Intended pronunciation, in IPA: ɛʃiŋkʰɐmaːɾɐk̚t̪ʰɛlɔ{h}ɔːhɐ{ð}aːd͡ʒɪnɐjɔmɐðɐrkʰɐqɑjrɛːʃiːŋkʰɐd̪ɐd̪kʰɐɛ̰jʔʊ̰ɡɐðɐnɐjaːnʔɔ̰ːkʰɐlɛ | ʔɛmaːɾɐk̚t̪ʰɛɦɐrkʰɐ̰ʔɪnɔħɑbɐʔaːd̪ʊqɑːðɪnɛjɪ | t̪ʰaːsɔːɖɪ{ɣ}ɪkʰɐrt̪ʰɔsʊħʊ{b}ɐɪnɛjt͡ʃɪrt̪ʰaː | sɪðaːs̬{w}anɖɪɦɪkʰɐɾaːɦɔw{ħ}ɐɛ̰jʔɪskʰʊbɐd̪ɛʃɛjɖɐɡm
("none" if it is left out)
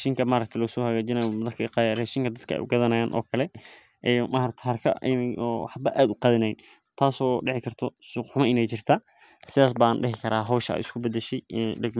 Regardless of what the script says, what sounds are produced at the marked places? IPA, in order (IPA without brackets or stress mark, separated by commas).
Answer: s, ɣ, ʕ, m, b, ʃ